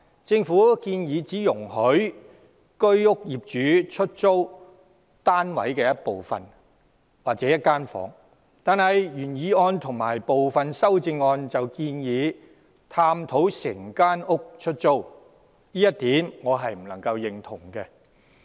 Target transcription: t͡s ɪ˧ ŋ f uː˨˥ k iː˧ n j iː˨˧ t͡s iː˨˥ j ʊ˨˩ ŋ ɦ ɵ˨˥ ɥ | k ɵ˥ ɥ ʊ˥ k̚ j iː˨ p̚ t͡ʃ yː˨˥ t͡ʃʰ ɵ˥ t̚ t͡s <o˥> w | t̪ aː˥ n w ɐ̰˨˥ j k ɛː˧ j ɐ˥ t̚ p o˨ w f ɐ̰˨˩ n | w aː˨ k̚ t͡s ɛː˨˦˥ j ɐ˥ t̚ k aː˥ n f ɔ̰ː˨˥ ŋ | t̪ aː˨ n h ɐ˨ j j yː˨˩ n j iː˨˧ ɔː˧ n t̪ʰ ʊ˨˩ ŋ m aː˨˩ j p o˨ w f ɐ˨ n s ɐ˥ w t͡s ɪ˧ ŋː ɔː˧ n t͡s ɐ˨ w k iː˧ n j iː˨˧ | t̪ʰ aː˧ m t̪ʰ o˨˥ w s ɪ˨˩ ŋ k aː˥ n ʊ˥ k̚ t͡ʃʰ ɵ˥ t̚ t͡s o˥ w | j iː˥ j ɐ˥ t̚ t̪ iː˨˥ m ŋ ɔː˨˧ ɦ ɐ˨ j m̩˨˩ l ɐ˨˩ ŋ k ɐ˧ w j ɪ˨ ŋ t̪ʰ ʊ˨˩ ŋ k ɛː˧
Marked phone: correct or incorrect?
correct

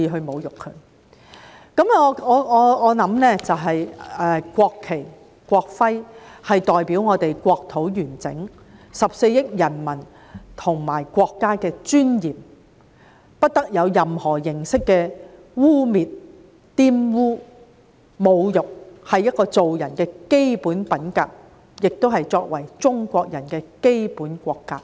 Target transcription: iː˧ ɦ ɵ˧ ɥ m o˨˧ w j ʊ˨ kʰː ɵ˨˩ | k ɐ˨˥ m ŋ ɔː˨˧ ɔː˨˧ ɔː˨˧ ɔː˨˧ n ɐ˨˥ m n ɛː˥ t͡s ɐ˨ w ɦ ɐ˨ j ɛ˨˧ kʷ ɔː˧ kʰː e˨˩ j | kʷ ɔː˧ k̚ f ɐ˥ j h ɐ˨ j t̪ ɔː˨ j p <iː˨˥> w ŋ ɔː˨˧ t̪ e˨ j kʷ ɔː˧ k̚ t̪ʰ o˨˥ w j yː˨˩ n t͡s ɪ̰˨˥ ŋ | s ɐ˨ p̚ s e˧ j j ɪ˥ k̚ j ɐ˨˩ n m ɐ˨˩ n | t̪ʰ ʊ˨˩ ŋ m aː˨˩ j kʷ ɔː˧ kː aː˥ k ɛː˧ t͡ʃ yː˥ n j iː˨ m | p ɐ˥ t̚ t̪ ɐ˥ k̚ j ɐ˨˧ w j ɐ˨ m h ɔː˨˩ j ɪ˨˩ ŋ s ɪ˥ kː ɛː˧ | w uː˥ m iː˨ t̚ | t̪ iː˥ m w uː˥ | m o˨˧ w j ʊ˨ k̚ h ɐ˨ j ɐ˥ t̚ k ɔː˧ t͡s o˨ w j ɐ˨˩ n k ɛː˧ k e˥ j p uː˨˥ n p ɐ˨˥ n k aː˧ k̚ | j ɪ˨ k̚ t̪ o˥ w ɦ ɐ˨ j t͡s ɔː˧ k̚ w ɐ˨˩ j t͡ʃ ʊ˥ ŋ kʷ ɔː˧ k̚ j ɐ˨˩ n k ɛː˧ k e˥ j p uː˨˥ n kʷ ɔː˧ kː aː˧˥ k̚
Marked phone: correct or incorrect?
correct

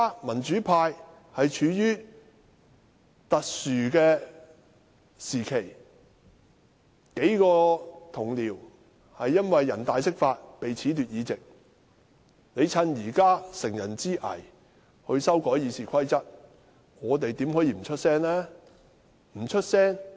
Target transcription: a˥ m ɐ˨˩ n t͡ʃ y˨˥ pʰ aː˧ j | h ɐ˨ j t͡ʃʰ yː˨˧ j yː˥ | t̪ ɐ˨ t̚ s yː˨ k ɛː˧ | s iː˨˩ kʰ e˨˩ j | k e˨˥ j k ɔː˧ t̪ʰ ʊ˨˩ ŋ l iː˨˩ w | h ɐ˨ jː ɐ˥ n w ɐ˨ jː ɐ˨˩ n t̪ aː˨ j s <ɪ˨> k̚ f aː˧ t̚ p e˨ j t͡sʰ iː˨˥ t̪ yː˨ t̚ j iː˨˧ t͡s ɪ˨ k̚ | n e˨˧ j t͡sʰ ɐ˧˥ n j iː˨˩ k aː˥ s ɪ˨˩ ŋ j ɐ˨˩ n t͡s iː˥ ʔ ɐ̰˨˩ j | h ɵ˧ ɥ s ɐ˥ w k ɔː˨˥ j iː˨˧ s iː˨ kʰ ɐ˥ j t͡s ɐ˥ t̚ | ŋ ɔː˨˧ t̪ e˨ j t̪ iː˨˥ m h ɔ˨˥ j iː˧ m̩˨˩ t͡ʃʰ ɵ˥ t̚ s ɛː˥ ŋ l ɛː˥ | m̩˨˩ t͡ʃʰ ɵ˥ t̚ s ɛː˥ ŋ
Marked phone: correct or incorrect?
incorrect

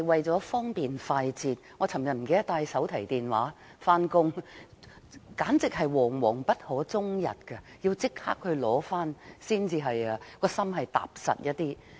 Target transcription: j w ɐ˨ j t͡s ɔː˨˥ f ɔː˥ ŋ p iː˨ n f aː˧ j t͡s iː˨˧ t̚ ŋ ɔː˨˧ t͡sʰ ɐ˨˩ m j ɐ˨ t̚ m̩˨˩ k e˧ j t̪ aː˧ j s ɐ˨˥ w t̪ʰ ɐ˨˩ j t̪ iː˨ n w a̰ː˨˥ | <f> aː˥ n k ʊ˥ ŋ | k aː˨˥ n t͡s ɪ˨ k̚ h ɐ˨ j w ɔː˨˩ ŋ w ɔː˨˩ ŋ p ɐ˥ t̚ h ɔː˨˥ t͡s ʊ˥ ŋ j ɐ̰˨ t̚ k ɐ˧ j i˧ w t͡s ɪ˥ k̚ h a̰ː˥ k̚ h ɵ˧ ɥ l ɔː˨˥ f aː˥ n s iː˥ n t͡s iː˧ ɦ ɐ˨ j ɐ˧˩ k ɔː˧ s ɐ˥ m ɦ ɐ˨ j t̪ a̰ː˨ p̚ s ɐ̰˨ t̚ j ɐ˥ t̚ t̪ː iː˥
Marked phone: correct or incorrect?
correct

